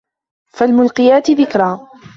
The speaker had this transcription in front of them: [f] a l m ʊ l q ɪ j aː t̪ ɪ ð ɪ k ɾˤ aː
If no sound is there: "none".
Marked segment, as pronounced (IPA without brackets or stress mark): f